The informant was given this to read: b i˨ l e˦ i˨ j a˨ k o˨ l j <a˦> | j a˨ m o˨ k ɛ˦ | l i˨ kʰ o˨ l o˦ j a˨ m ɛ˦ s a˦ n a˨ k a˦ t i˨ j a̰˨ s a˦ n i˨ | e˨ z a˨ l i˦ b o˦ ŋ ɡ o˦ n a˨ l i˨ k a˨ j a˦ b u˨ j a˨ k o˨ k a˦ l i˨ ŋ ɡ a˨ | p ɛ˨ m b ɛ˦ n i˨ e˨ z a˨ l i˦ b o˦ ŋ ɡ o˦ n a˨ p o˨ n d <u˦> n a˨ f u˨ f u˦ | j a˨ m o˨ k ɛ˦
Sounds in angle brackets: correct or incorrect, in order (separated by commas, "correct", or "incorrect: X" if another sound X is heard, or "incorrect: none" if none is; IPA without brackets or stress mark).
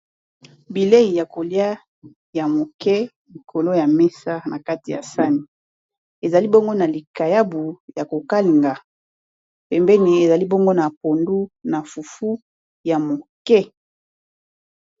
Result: correct, correct